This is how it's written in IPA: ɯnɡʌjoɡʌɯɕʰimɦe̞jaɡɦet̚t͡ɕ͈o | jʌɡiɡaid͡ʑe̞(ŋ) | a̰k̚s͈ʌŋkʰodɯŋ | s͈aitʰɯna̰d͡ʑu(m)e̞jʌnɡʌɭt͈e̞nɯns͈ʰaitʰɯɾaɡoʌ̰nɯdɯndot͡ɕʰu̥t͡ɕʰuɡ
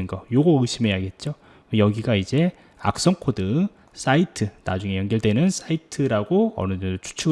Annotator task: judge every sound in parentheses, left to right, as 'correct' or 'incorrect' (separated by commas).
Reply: incorrect, incorrect